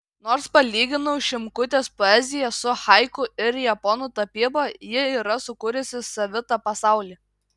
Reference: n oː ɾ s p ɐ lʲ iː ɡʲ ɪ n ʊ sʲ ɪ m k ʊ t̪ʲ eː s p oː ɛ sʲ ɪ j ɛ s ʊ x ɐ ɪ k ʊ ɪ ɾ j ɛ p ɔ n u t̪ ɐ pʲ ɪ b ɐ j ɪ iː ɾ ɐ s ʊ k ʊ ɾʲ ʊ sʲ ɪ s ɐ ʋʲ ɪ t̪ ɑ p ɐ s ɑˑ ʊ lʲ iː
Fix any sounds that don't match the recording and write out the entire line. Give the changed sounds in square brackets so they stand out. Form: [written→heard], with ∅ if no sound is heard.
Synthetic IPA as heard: n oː ɾ s p ɐ lʲ iː ɡʲ ɪ n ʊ [sʲ→ʃʲ] ɪ m k ʊ t̪ʲ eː s p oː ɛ [sʲ→zʲ] ɪ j ɛ s ʊ x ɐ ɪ k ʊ ɪ ɾ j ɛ p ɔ n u t̪ ɐ pʲ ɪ b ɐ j ɪ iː ɾ ɐ s ʊ k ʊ ɾʲ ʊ sʲ ɪ s ɐ ʋʲ ɪ t̪ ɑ p ɐ s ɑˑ ʊ lʲ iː